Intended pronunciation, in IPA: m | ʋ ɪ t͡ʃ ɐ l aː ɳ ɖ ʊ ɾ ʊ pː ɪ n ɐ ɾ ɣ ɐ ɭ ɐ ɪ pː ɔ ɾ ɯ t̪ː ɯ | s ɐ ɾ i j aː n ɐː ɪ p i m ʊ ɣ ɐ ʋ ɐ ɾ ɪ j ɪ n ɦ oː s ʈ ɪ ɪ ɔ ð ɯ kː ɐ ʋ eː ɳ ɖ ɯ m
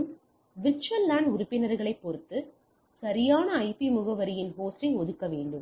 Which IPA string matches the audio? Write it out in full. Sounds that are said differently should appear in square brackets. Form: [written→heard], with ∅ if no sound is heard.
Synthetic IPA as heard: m | ʋ ɪ t͡ʃ ɐ l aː ɳ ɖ ʊ ɾ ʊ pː ɪ n ɐ ɾ ɣ ɐ ɭ ɐ ɪ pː ɔ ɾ ɯ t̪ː ɯ | s ɐ ɾ [i→ɪ] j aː n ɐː ɪ p i m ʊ ɣ ɐ ʋ ɐ ɾ ɪ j ɪ n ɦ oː s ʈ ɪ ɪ ɔ ð ɯ kː ɐ ʋ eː ɳ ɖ ɯ m